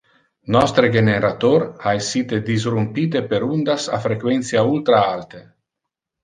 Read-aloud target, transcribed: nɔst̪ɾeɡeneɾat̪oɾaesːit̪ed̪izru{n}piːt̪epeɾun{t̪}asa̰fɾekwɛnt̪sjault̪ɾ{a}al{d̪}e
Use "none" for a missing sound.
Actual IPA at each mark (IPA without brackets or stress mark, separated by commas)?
m, d̪, a, t̪